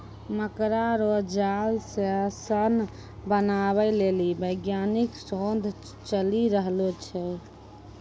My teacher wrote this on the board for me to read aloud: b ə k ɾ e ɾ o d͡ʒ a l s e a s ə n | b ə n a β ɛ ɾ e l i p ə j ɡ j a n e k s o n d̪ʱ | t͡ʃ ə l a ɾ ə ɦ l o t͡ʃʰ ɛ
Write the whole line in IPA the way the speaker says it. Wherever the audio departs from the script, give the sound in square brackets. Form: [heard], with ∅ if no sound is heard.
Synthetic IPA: [m] ə k ɾ [a] ɾ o d͡ʒ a l s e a s ə n | b ə n a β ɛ [l] e l i [b] ə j ɡ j a n [i] k s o n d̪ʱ | t͡ʃ ə l [i] ɾ ə ɦ l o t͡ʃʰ ɛ